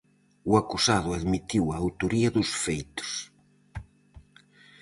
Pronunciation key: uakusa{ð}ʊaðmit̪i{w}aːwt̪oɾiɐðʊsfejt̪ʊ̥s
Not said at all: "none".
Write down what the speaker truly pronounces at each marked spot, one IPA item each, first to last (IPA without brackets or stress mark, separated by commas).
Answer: ð, w